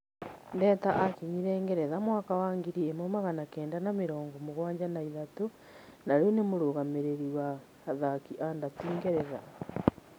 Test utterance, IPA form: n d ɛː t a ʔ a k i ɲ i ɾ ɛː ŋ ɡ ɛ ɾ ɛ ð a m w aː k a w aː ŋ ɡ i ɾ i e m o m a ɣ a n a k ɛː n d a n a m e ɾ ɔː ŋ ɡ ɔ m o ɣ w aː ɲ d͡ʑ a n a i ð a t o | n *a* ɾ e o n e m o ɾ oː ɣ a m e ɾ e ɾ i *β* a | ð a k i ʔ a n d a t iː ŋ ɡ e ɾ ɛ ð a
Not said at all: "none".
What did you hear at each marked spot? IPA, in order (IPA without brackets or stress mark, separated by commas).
a, w